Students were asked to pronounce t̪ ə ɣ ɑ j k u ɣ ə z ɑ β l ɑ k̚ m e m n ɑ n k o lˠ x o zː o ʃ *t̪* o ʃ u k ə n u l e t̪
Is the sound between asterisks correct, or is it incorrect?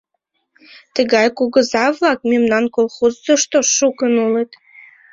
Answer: correct